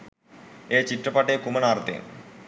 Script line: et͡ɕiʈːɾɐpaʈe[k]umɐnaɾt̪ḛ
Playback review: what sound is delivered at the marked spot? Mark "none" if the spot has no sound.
k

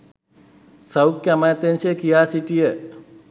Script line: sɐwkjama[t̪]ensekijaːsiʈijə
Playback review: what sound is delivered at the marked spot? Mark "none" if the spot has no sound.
t̪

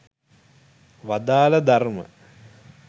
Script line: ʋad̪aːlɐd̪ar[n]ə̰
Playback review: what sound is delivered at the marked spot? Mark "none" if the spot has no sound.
m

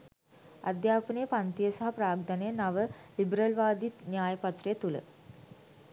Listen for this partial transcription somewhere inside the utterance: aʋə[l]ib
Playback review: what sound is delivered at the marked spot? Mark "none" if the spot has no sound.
l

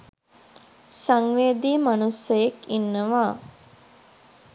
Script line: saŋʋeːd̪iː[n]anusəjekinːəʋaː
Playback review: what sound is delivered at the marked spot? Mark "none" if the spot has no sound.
m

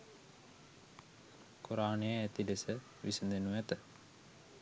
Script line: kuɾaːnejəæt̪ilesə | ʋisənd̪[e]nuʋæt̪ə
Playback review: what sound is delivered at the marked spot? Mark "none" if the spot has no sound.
e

